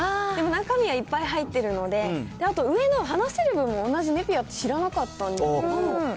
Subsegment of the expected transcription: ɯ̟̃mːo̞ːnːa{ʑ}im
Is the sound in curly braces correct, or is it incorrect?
correct